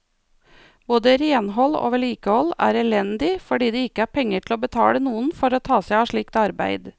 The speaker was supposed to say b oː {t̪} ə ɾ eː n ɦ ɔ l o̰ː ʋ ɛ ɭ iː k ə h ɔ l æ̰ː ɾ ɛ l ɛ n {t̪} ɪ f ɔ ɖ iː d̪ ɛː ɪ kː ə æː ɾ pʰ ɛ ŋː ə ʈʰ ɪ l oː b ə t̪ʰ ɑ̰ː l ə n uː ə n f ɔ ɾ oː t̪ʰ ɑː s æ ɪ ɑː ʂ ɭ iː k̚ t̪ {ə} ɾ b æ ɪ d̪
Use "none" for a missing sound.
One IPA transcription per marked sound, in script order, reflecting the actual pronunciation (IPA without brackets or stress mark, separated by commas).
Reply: d̪, d̪, ɑ